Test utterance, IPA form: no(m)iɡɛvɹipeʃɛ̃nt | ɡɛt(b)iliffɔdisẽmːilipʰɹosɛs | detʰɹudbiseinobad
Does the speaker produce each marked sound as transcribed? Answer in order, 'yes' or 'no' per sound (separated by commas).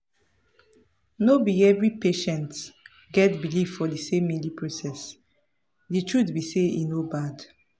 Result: no, yes